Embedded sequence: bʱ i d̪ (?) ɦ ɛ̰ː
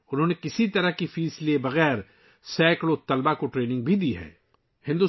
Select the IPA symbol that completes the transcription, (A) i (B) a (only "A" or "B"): A